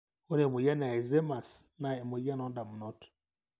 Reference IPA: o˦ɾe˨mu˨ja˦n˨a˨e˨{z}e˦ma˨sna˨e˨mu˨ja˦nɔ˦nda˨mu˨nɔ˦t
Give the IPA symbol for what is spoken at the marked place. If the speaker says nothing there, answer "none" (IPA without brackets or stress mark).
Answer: z